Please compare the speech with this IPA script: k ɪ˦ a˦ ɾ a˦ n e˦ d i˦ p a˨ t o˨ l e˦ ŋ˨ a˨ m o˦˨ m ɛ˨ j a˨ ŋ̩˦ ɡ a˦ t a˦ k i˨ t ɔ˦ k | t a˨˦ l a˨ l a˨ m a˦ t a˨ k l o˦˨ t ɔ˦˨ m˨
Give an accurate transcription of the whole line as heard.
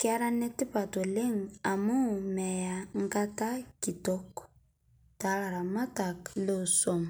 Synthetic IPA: k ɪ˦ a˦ ɾ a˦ n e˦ t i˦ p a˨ t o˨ l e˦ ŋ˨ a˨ m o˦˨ m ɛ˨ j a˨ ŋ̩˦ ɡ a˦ t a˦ k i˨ t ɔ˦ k | t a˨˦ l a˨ ɾ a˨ m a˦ t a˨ k l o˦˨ s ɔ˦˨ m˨